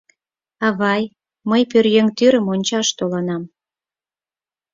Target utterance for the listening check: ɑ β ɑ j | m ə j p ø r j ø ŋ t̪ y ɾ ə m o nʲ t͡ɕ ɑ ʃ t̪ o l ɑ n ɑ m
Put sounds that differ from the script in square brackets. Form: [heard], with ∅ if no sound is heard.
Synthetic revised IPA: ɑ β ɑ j | m ə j p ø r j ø ŋ t̪ y ɾ ə m o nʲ t͡ɕ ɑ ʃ t̪ o l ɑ n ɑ m